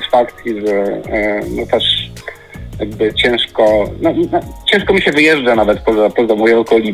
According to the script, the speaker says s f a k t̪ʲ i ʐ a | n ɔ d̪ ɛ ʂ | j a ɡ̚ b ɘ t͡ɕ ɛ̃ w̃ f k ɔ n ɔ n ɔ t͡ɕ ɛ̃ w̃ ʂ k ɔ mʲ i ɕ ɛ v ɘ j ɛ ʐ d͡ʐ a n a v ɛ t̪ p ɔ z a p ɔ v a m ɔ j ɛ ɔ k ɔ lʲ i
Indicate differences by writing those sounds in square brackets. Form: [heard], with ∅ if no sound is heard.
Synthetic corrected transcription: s f a k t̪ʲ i ʐ [ɛ] | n ɔ [t̪] ɛ ʂ | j a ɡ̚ b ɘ t͡ɕ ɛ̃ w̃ [ʂ] k ɔ n ɔ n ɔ t͡ɕ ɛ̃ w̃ ʂ k ɔ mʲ i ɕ ɛ v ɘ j ɛ ʐ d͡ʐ a n a v ɛ t̪ p ɔ z a p ɔ [z] a m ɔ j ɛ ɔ k ɔ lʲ i